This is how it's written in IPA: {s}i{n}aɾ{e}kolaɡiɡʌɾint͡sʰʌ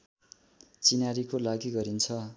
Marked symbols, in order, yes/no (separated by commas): no, yes, no